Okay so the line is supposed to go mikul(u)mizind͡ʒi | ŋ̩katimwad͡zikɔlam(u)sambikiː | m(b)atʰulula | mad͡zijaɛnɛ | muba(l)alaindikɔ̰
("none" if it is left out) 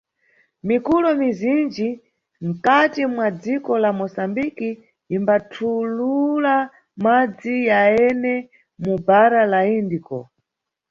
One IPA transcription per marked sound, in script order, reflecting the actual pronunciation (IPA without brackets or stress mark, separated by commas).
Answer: ɔ, ɔ, b, ɾ